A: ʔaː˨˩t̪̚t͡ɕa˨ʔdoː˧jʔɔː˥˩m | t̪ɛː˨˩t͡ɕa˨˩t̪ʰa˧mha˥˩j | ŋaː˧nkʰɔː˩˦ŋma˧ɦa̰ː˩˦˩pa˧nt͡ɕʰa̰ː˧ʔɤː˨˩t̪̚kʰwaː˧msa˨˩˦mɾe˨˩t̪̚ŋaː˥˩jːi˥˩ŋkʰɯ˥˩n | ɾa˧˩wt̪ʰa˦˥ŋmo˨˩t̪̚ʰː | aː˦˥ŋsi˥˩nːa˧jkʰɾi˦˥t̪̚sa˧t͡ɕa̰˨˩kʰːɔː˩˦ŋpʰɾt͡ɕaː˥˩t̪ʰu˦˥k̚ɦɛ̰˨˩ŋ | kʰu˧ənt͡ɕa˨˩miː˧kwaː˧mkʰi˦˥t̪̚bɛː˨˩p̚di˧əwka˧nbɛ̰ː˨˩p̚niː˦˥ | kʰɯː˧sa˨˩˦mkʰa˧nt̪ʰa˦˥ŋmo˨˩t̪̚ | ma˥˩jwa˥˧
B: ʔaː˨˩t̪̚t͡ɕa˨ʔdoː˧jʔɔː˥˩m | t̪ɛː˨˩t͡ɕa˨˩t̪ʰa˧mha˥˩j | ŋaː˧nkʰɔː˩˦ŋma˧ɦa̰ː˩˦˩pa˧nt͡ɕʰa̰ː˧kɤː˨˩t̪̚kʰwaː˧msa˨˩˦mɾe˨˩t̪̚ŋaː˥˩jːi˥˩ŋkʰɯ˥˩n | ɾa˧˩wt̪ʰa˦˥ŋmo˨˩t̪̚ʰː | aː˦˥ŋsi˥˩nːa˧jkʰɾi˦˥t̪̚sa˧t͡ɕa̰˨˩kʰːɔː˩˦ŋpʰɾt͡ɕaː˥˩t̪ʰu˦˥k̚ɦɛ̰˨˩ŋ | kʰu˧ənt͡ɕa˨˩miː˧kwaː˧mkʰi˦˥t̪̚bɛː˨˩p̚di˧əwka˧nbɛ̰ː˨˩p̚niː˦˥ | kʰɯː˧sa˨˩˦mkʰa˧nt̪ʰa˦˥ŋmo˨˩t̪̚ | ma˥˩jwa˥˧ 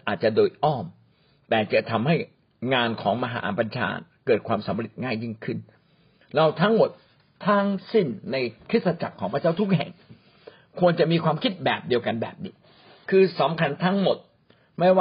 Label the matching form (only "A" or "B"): B